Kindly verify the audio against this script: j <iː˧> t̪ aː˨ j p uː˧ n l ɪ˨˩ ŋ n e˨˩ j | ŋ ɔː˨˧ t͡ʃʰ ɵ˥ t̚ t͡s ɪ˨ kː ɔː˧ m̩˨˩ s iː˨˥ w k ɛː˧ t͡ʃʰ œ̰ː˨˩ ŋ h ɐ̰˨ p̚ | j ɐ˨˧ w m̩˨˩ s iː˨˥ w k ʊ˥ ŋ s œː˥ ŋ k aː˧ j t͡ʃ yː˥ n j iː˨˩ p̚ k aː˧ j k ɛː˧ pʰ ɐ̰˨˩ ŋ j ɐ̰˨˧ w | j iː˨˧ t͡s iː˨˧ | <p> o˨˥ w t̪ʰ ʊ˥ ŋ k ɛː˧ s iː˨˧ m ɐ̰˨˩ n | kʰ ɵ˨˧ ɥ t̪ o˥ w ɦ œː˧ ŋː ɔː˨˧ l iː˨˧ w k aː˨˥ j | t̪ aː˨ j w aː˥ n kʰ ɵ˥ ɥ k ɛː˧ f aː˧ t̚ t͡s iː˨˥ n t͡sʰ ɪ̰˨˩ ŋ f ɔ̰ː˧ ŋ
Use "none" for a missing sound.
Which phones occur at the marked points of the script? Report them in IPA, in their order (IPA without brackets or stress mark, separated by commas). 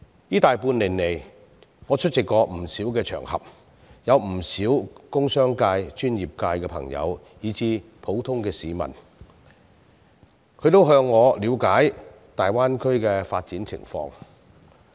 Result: iː˥, pʰ